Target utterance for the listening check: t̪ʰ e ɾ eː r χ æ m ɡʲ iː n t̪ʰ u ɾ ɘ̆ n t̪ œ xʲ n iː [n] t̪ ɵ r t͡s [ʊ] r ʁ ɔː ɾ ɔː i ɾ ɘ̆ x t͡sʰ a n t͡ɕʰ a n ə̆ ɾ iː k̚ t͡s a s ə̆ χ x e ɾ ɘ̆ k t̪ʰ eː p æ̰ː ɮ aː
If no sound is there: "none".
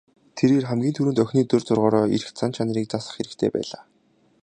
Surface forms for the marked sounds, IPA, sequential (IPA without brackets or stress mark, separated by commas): none, ʊ